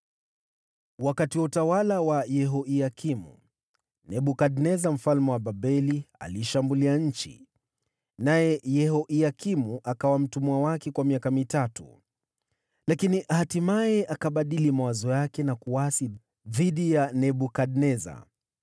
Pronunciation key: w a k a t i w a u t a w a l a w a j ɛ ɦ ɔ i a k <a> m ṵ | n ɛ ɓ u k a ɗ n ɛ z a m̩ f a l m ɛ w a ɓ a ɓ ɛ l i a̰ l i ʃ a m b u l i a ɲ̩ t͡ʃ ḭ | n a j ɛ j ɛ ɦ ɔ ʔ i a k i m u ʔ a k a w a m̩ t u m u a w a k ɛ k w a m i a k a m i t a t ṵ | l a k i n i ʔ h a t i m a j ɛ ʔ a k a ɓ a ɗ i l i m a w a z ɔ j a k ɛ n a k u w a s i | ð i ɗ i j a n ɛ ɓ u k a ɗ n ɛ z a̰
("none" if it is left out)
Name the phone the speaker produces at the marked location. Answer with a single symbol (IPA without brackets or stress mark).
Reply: i